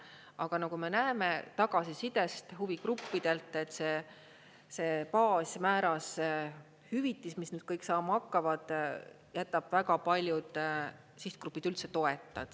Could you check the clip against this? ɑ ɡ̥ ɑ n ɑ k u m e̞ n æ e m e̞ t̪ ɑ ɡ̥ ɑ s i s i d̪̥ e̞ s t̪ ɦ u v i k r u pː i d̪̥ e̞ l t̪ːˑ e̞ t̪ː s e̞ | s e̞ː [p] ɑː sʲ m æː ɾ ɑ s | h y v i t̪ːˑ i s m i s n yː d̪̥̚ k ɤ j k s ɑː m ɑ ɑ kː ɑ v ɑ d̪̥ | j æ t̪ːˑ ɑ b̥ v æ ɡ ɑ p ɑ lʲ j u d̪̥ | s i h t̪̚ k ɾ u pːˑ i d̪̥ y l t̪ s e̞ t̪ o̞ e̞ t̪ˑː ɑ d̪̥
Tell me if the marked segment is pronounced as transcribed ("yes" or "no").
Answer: yes